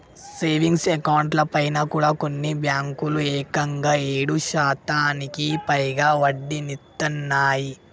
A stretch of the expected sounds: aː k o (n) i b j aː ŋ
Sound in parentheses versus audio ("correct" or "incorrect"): incorrect